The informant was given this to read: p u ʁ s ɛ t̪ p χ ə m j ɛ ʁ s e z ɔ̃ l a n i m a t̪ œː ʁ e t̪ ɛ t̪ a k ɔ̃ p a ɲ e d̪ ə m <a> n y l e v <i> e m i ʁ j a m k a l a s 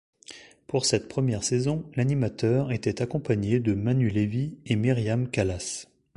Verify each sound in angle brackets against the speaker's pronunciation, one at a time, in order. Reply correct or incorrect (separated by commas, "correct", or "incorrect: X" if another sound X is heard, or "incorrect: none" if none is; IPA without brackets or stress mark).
correct, correct